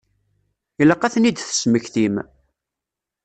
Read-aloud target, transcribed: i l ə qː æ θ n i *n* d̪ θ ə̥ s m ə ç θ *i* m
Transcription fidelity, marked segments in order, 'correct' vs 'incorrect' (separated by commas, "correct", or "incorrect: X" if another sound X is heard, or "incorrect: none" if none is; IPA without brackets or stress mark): incorrect: none, correct